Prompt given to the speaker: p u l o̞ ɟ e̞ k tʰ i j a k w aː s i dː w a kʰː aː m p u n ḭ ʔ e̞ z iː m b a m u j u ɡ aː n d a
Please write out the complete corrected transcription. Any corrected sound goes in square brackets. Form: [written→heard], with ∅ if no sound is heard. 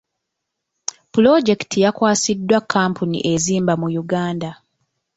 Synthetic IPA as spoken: p u l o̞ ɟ e̞ k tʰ i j a k w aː s i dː w a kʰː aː m p u n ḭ ʔ e̞ z iː m b a m u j u ɡ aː n d a